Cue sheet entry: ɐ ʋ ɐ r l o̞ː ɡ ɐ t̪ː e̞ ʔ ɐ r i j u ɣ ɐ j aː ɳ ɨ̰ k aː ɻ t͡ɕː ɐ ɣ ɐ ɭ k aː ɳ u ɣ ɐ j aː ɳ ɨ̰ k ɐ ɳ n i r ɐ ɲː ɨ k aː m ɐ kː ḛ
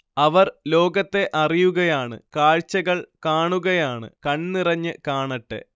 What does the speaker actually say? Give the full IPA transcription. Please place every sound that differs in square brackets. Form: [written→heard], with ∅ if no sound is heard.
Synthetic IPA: ɐ ʋ ɐ r l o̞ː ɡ ɐ t̪ː e̞ ʔ ɐ r i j u ɣ ɐ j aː ɳ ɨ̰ k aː ɻ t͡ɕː ɐ ɣ ɐ ɭ k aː ɳ u ɣ ɐ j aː ɳ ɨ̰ k ɐ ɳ n i r ɐ ɲː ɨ k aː [m→ɳ] ɐ [kː→ʈː] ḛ

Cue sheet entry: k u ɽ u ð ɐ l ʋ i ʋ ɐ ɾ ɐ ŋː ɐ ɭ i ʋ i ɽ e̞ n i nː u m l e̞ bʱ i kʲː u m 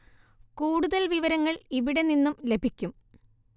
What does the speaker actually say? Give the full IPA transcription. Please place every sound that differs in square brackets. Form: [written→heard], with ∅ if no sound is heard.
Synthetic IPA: k [u→uː] ɽ u ð ɐ l ʋ i ʋ ɐ ɾ ɐ ŋː ɐ ɭ i ʋ i ɽ e̞ n i nː u m l e̞ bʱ i kʲː u m

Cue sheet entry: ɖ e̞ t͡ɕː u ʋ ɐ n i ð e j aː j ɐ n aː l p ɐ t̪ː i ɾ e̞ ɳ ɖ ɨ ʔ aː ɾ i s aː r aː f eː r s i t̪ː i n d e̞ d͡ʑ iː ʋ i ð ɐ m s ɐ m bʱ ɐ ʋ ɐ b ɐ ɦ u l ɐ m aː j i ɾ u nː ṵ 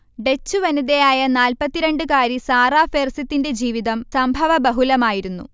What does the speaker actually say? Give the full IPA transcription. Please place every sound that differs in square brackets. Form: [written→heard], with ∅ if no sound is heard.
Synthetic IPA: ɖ e̞ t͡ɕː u ʋ ɐ n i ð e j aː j ɐ n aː l p ɐ t̪ː i ɾ e̞ ɳ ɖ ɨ [ʔ→k] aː ɾ i s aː r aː f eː r s i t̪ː i n d e̞ d͡ʑ iː ʋ i ð ɐ m s ɐ m bʱ ɐ ʋ ɐ b ɐ ɦ u l ɐ m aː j i ɾ u nː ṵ

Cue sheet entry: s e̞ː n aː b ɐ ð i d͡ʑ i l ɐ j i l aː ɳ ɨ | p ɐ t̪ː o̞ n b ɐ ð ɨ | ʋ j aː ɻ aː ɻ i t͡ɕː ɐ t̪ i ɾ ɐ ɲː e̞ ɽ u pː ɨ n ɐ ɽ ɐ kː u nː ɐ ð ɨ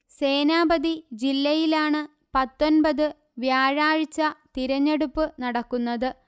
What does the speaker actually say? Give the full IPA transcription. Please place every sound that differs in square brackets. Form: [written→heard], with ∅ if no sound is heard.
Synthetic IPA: s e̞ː n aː b ɐ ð i d͡ʑ i [l→lː] ɐ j i l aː ɳ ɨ | p ɐ t̪ː o̞ n b ɐ ð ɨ | ʋ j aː ɻ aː ɻ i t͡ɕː ɐ t̪ i ɾ ɐ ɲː e̞ ɽ u pː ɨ n ɐ ɽ ɐ kː u nː ɐ ð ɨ

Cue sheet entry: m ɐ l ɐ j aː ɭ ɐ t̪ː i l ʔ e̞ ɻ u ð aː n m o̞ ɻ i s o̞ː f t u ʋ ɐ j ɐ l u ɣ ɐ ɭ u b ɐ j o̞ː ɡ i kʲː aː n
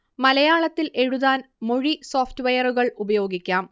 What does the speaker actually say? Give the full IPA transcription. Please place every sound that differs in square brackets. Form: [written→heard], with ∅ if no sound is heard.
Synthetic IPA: m ɐ l ɐ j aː ɭ ɐ t̪ː i l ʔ e̞ ɻ u ð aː n m o̞ ɻ i s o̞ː f t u ʋ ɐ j ɐ [l→r] u ɣ ɐ ɭ u b ɐ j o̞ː ɡ i kʲː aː [n→m]

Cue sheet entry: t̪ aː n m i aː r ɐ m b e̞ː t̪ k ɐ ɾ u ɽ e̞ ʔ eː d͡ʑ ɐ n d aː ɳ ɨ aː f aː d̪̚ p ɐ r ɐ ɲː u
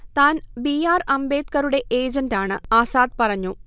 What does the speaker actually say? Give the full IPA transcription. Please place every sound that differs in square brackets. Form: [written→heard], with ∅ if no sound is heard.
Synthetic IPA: t̪ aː n [m→b] i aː r ɐ m b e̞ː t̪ k ɐ ɾ u ɽ e̞ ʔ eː d͡ʑ ɐ n d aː ɳ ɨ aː [f→s] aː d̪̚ p ɐ r ɐ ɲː u

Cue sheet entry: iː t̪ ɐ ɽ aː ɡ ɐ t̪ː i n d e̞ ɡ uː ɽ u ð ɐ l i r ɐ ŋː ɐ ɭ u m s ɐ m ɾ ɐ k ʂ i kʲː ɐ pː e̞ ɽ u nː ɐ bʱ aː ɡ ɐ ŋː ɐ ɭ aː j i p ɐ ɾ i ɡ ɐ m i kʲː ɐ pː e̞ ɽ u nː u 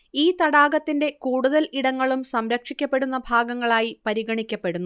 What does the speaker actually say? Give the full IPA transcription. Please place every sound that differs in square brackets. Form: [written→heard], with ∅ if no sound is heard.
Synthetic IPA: iː t̪ ɐ ɽ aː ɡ ɐ t̪ː i n d e̞ [ɡ→k] uː ɽ u ð ɐ l i [r→ɽ] ɐ ŋː ɐ ɭ u m s ɐ m ɾ ɐ k ʂ i kʲː ɐ pː e̞ ɽ u nː ɐ bʱ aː ɡ ɐ ŋː ɐ ɭ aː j i p ɐ ɾ i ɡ ɐ [m→ɳ] i kʲː ɐ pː e̞ ɽ u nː u

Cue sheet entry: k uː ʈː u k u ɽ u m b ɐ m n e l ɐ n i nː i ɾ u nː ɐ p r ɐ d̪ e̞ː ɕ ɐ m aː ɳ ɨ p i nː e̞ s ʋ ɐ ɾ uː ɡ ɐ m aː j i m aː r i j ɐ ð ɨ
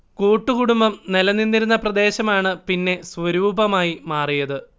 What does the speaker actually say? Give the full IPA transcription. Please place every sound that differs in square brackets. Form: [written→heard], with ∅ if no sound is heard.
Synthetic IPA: k uː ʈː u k u ɽ u m b ɐ m n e l ɐ n i nː i ɾ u nː ɐ p r ɐ d̪ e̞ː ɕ ɐ m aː ɳ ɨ p i nː e̞ s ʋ ɐ ɾ uː [ɡ→b] ɐ m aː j i m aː r i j ɐ ð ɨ

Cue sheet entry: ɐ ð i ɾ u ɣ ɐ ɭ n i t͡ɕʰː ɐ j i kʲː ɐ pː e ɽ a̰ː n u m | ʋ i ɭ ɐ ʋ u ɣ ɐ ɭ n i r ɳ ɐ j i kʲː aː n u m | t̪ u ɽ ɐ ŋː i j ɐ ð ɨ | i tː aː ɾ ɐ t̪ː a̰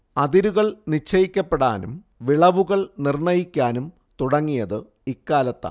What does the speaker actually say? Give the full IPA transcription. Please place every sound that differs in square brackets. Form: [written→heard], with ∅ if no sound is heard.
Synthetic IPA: ɐ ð i ɾ u ɣ ɐ ɭ n i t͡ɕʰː ɐ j i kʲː ɐ pː e ɽ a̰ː n u m | ʋ i ɭ ɐ ʋ u ɣ ɐ ɭ n i r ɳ ɐ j i kʲː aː n u m | t̪ u ɽ ɐ ŋː i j ɐ ð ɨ | i [tː→kː] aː [ɾ→l] ɐ t̪ː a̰

